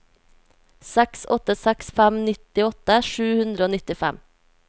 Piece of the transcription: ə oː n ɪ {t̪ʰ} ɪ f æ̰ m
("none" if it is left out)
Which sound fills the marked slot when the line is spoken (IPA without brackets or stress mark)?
t̪